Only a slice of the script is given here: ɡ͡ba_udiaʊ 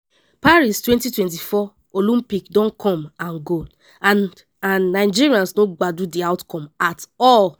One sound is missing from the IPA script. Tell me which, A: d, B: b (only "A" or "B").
A